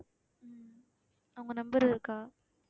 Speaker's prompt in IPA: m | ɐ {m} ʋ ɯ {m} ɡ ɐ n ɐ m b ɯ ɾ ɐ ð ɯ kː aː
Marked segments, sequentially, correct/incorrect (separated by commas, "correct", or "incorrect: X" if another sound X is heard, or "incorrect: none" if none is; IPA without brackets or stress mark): incorrect: none, incorrect: ŋ